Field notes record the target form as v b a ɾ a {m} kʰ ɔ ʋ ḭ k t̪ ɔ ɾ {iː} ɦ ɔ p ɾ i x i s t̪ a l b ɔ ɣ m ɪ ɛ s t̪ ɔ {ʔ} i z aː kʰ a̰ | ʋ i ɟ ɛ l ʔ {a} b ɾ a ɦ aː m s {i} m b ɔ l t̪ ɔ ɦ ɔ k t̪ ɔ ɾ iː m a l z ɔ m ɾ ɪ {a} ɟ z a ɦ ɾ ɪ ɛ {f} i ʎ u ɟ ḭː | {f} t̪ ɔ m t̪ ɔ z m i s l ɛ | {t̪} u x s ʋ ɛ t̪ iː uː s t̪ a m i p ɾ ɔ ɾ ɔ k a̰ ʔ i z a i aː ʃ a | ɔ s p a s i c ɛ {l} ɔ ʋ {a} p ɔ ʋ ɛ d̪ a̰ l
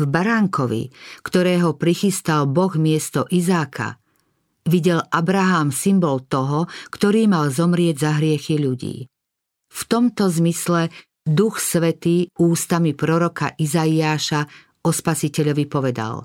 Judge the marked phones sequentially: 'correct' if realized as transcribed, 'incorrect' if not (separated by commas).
incorrect, incorrect, correct, correct, correct, incorrect, incorrect, correct, incorrect, incorrect, incorrect